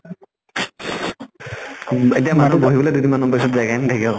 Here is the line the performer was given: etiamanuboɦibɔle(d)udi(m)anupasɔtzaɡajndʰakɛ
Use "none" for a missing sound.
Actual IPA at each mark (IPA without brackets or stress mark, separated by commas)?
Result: d, m